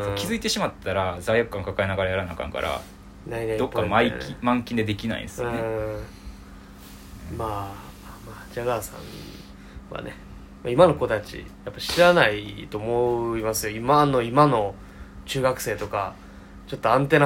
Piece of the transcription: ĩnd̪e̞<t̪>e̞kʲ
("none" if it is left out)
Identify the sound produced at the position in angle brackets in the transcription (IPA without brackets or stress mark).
d̪